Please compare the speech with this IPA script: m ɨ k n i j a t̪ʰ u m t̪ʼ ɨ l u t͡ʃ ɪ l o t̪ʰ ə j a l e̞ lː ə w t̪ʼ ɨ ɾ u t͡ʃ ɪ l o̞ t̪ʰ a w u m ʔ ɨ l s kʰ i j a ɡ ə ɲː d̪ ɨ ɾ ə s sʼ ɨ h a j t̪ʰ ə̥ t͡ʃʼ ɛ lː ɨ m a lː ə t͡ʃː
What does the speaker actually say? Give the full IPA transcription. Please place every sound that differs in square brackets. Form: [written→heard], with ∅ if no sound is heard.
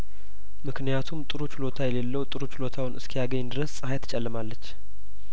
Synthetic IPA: m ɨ k n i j a t̪ʰ u m t̪ʼ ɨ [l→ɾ] u t͡ʃ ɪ l o t̪ʰ [ə→a] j [a→ɛ] l e̞ lː ə w t̪ʼ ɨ ɾ u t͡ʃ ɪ l o̞ t̪ʰ a w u [m→n] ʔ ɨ [l→∅] s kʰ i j a ɡ ə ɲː d̪ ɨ ɾ ə s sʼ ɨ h a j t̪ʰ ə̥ t͡ʃʼ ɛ lː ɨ m a lː ə t͡ʃː